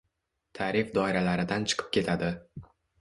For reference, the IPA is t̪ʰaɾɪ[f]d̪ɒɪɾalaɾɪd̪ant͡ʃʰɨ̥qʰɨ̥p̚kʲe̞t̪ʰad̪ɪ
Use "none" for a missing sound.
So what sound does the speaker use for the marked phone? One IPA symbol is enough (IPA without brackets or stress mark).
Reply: f